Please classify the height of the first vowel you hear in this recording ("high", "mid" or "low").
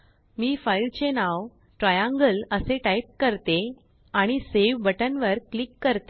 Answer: high